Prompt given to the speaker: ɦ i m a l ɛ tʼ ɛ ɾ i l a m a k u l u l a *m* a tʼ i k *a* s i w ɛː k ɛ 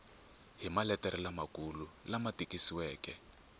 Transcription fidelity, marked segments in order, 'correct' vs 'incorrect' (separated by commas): correct, incorrect